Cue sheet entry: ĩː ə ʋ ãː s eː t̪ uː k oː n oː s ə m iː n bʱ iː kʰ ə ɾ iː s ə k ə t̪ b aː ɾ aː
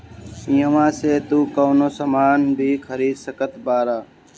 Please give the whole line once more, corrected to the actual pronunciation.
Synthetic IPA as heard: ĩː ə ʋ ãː s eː t̪ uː k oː n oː s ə m aː n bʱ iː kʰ ə ɾ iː s ə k ə t̪ b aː ɾ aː